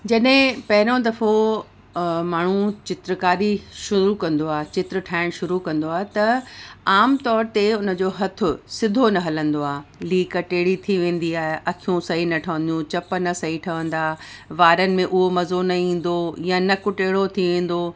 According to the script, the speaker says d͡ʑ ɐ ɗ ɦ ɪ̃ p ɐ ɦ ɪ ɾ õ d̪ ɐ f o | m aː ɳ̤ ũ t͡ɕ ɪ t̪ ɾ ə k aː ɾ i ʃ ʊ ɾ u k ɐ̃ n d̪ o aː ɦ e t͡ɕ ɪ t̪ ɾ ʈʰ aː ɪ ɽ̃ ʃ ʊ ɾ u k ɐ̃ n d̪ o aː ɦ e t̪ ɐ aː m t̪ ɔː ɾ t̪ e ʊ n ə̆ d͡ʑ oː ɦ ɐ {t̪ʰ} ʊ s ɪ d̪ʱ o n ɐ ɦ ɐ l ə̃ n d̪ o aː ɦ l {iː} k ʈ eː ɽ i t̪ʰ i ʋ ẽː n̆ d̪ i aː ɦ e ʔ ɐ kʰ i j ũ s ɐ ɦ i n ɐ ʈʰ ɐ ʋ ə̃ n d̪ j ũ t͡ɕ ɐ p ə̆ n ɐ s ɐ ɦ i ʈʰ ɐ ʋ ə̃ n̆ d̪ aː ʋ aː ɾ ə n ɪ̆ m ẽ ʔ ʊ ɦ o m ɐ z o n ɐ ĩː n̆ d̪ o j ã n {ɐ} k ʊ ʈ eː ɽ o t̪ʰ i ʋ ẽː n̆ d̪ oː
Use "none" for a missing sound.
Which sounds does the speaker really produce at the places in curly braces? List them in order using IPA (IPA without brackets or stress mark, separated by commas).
t̪ʰ, iː, ɐ